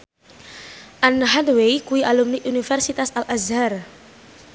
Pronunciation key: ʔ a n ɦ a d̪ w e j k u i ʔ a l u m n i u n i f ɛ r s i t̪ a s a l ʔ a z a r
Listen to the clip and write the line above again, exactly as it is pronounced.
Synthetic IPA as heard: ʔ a n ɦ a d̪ w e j k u i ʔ a l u m n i u n i f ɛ r s i t̪ a s a l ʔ a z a r